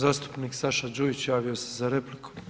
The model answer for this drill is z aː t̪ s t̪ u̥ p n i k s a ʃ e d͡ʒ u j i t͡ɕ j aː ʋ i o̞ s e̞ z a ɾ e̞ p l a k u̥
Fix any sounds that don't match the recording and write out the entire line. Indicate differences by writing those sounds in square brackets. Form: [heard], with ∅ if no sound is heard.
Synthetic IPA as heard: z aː [∅] s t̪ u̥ p n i k s a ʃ [a] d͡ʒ u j i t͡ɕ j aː ʋ i o̞ s e̞ z a ɾ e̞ p l [i] k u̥